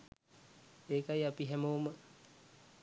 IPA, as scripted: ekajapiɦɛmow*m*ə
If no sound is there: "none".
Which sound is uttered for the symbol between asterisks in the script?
m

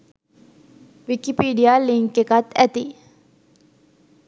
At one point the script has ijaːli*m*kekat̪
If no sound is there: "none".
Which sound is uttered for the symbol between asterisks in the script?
ŋ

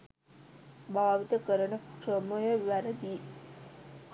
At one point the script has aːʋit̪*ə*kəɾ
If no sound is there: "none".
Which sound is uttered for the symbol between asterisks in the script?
ə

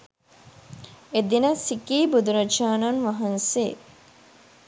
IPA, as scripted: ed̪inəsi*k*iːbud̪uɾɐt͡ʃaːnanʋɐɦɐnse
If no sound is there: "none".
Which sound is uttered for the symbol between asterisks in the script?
k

